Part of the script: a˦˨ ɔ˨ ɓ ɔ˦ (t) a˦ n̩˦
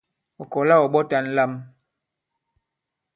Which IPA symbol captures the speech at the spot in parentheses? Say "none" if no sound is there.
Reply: t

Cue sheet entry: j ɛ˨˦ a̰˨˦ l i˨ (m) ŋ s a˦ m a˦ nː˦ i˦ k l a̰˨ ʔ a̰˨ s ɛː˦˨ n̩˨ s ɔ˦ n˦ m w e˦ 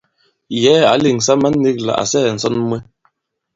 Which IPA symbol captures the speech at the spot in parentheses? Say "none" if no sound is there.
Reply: none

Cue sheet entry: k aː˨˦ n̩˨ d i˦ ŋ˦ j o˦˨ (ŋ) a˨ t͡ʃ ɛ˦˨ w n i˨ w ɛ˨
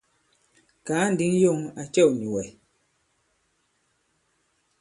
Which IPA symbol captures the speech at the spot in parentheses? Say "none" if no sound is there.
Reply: ŋ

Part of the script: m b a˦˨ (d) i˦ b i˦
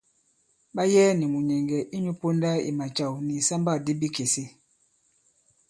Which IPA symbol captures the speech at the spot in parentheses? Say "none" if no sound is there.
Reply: d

